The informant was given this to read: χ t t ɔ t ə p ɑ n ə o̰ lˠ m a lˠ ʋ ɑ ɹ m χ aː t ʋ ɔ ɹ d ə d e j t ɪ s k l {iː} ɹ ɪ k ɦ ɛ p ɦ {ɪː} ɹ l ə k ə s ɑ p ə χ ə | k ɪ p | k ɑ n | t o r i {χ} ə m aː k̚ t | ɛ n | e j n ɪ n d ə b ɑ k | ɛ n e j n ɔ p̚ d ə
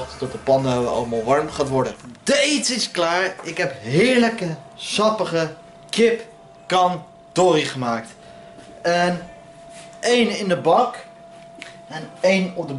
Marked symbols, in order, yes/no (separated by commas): no, yes, yes